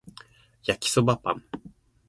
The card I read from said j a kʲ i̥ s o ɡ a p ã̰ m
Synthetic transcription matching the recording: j a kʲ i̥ s o b a p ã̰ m